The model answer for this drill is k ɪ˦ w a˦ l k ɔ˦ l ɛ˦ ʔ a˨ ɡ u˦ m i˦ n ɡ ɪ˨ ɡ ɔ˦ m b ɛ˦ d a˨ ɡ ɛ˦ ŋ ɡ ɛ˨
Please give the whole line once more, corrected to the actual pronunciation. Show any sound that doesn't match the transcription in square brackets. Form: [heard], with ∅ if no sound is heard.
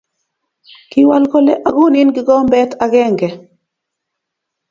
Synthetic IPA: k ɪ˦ w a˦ l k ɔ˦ l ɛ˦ ʔ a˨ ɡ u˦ [n] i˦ n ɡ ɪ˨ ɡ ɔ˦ m b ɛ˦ [t] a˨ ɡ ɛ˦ ŋ ɡ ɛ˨